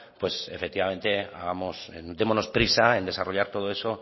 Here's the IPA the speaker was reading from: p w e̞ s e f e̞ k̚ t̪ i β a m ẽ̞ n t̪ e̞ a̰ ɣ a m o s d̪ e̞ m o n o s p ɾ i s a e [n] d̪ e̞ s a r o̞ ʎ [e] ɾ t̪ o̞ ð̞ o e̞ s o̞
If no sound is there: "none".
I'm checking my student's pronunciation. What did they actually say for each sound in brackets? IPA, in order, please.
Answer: n, a

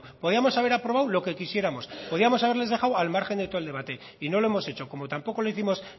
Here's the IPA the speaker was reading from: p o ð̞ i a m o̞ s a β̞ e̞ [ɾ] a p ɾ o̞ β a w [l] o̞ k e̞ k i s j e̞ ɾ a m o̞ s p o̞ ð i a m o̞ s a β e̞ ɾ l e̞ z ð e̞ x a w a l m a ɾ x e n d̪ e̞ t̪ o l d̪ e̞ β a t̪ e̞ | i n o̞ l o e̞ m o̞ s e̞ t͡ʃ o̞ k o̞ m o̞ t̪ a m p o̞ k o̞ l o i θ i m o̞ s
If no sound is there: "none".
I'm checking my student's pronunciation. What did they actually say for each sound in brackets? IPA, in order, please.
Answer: ɾ, l

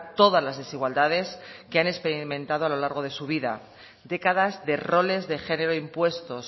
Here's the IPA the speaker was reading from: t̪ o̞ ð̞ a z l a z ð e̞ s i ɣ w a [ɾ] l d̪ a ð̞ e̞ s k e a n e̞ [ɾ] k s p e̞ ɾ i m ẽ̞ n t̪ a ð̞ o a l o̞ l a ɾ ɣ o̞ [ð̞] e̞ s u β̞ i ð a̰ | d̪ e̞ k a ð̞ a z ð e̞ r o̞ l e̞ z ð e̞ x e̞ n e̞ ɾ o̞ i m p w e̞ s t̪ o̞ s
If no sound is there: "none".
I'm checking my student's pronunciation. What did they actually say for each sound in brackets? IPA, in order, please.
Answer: none, none, ð̞

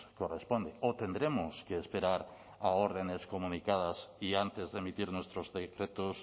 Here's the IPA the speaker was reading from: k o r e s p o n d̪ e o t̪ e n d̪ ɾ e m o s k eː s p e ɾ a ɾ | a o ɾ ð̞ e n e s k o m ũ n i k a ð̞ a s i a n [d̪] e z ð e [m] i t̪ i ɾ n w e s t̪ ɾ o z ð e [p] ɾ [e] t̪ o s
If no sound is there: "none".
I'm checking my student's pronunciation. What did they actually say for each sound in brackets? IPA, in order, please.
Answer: t̪, m, k, e

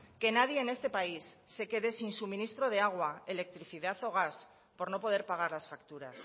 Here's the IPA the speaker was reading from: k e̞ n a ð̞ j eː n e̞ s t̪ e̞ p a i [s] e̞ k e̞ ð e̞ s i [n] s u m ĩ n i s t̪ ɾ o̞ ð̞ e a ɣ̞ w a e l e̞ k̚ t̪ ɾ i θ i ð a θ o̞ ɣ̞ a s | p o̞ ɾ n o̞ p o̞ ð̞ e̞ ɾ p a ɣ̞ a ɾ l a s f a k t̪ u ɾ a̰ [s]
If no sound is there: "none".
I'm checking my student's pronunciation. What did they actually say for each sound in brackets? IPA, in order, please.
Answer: sː, n, s

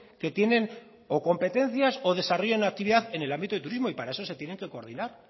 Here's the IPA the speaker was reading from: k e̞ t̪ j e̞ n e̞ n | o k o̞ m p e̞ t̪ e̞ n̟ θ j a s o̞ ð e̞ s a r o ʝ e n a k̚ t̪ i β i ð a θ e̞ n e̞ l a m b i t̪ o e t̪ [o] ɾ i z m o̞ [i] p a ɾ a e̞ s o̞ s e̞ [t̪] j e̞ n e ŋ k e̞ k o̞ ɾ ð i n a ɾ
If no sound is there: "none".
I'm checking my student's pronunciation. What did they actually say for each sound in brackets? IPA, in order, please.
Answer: u, i, t̪

